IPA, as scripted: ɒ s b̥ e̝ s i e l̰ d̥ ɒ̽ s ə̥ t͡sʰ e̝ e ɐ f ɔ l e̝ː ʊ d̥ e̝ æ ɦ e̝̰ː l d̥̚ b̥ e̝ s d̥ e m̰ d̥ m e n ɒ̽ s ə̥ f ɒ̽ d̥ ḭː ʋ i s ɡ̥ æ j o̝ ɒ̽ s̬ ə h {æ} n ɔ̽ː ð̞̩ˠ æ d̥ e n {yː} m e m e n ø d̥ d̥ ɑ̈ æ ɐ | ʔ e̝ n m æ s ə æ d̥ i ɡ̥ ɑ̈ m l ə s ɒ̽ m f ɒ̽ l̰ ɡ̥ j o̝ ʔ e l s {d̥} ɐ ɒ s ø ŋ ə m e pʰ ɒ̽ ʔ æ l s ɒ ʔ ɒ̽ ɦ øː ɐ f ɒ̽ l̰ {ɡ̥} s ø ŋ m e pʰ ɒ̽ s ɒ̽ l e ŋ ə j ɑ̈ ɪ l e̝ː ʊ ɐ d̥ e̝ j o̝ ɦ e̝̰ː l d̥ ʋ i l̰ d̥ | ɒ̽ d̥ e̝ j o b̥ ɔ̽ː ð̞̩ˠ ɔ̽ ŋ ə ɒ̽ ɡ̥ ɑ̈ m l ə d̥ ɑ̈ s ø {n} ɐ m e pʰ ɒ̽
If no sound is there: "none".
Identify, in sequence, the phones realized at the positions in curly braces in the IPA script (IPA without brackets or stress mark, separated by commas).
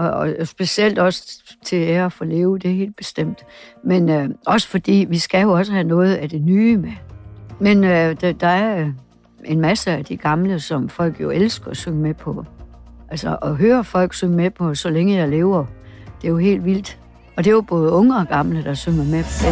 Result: æ, yː, ɡ̥, ɡ̥, ŋ